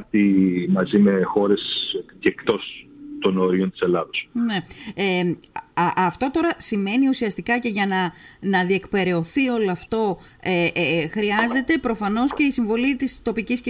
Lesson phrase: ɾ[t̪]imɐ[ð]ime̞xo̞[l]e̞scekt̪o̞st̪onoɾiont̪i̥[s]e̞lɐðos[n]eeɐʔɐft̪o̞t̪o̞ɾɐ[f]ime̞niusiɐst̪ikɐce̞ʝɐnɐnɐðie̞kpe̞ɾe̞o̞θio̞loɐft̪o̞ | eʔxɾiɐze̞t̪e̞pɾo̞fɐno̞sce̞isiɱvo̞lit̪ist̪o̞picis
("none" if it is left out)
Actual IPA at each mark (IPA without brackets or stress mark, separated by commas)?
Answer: t̪, z, ɾ, s, n, s